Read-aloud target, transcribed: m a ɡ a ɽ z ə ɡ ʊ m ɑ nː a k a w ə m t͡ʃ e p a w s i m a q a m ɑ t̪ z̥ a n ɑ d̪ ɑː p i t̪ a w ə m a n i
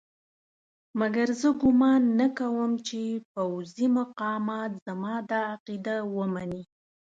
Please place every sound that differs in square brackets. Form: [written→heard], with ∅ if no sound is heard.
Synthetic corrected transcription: m a ɡ a [ɽ→ɾ] z ə ɡ ʊ m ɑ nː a k a w ə m t͡ʃ e p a w [s→z] i m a q [a→ɑ] m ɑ t̪ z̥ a [n→m] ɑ d̪ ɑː [p→q] i [t̪→d̪] a w ə m a n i